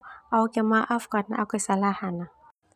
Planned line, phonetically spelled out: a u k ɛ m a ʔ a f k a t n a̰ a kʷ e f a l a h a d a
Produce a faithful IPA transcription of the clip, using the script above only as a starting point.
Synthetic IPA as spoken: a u k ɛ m a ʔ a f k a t n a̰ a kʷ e s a l a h a n a